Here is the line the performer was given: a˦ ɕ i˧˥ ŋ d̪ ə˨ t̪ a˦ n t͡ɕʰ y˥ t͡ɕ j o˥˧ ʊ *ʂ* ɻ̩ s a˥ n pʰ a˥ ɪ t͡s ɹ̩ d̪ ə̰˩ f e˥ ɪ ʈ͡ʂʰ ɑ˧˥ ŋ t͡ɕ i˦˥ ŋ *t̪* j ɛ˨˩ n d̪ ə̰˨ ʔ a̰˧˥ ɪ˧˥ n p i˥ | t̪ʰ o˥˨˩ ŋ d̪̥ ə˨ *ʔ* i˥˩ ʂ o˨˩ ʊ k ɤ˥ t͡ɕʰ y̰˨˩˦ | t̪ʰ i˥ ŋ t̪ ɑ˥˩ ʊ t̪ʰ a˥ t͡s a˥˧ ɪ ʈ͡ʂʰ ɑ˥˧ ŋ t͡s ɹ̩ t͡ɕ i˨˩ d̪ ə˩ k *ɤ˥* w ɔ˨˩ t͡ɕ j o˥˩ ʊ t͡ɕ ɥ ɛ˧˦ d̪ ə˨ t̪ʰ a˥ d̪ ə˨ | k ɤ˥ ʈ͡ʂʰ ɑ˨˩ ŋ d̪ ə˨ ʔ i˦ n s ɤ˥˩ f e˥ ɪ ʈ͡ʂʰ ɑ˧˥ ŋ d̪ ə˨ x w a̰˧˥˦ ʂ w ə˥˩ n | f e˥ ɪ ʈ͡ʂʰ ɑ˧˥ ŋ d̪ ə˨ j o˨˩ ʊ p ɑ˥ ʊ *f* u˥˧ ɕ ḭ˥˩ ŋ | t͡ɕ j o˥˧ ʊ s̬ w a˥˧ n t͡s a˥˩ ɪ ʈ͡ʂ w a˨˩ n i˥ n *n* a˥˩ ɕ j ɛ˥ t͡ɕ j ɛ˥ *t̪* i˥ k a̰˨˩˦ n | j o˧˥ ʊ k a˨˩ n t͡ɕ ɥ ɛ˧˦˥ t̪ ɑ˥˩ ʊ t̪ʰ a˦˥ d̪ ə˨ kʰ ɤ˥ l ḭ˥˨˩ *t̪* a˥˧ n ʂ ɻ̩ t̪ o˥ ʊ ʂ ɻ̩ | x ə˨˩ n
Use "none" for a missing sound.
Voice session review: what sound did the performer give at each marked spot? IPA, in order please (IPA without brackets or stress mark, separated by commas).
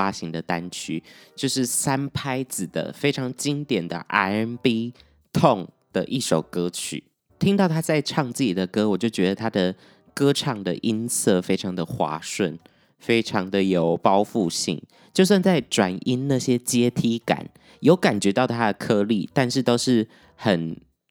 ʂ, t̪, ʔ, ɤ˥, f, n, t̪ʰ, t̪